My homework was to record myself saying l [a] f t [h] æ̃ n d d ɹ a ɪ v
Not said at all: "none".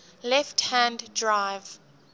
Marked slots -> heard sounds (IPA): ɛ, h

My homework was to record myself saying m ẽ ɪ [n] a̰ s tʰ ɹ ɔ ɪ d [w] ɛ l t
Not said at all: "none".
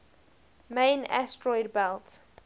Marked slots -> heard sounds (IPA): n, b

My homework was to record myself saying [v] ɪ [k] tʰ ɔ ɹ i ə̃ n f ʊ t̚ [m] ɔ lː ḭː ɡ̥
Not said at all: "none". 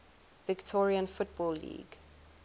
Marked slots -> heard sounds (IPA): v, k, b

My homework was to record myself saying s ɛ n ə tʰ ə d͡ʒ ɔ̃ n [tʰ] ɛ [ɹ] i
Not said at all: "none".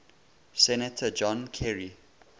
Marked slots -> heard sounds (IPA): kʰ, ɹ

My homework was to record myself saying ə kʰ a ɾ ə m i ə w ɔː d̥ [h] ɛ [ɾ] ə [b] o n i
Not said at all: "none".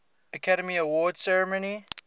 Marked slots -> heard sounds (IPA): s, ɹ, m

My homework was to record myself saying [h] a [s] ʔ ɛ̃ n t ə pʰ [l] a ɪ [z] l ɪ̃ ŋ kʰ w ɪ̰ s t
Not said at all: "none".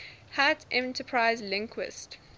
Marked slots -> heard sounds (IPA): h, t, ɹ, z

